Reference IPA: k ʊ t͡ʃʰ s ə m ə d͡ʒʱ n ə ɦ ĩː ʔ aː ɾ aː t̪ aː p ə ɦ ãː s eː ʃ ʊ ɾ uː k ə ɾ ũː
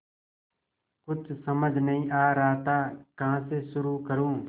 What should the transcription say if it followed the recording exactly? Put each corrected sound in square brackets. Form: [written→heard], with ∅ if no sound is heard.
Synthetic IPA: k ʊ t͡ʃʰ s ə m ə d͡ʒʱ n ə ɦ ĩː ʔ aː ɾ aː t̪ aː [p→k] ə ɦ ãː s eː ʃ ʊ ɾ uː k ə ɾ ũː